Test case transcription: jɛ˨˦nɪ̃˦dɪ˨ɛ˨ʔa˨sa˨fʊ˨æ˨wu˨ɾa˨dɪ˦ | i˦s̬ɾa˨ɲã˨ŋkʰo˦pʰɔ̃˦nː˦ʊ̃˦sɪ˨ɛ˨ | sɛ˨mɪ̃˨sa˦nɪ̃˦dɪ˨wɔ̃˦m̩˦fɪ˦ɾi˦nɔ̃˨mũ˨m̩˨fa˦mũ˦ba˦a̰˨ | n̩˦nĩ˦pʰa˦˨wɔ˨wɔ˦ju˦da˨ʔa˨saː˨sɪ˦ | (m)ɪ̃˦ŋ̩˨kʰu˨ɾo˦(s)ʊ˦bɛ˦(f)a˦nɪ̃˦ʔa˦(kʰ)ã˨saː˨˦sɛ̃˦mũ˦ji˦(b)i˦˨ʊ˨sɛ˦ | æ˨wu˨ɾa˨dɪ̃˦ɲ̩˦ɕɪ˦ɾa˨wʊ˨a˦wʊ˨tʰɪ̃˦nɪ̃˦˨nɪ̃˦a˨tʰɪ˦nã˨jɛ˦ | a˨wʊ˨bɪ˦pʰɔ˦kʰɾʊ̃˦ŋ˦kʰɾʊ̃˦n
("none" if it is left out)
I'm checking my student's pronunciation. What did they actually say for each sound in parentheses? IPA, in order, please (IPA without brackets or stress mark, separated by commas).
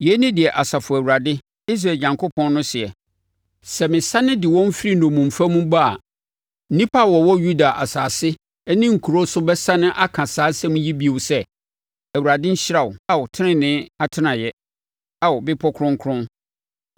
n, s, s, kʰ, b